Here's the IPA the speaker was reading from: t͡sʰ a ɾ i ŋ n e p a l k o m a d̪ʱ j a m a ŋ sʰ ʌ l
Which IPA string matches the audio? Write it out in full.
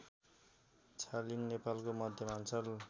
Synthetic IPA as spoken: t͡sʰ a l i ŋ n e p a l k o m ʌ d̪ʱ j ʌ m a n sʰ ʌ l